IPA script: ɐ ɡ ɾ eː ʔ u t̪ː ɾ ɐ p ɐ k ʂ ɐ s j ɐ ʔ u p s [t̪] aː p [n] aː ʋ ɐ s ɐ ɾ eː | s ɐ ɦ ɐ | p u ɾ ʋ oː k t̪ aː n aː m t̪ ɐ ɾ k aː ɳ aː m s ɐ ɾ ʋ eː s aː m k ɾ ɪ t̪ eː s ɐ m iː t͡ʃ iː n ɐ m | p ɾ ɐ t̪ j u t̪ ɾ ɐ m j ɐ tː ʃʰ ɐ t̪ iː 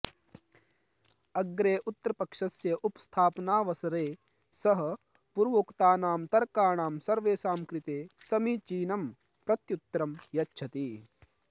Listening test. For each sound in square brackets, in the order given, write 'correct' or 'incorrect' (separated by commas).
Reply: incorrect, correct